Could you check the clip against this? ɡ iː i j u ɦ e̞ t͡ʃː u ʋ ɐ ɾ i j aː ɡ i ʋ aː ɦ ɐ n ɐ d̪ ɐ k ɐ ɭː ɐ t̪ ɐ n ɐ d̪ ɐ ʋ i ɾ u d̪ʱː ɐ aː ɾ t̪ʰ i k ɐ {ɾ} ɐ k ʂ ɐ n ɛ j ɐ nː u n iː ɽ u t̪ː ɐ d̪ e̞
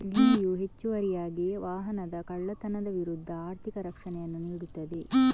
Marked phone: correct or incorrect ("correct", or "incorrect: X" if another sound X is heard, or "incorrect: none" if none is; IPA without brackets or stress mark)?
correct